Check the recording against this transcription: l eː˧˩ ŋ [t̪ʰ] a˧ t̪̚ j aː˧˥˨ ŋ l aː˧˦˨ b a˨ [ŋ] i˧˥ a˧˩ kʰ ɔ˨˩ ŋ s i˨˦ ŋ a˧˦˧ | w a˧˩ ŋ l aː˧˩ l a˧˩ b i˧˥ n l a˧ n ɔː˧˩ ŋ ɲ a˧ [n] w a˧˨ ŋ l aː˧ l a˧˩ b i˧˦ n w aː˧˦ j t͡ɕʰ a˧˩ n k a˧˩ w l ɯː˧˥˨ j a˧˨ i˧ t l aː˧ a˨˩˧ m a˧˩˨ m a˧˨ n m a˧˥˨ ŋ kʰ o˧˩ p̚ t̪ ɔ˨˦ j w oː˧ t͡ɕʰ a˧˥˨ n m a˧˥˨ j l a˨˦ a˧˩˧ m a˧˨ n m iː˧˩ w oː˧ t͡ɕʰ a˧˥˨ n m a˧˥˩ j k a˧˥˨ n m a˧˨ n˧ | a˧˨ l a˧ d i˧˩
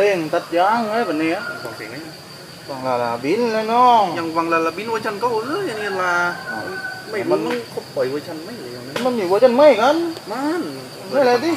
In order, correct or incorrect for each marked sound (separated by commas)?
incorrect, incorrect, incorrect